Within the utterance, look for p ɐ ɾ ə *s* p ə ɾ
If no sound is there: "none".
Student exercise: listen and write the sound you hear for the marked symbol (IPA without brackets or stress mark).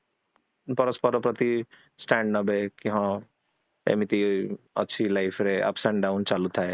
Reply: s